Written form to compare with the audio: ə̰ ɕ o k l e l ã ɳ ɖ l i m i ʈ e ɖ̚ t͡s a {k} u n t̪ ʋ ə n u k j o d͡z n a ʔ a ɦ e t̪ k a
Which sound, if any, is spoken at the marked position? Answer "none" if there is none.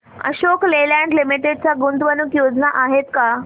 ɡ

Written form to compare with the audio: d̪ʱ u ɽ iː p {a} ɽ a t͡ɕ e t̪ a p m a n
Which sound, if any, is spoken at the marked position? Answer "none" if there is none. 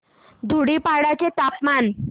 a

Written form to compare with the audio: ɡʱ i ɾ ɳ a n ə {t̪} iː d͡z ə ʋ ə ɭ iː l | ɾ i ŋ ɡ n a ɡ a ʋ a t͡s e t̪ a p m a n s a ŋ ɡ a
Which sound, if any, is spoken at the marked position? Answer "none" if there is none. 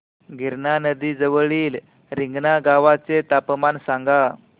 d̪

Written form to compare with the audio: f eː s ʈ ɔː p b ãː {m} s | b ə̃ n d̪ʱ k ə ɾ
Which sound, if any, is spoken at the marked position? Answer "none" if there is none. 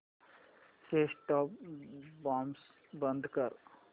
m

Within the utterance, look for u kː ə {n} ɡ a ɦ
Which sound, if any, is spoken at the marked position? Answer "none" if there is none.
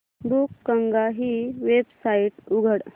ŋ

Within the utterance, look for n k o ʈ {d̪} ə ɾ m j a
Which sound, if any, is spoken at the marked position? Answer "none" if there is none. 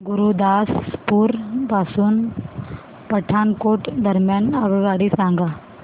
d̪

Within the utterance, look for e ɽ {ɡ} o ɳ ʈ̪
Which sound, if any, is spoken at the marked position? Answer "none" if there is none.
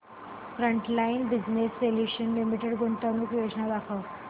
ɡ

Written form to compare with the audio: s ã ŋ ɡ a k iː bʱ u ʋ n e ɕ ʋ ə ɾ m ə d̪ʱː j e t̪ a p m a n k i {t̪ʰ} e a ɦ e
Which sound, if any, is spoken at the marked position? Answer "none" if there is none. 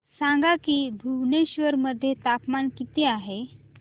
t̪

